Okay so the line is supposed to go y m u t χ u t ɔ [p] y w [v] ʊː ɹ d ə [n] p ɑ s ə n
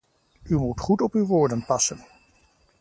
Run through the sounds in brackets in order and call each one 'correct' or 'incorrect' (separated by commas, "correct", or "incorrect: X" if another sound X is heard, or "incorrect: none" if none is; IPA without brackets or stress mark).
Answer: correct, incorrect: ʋ, correct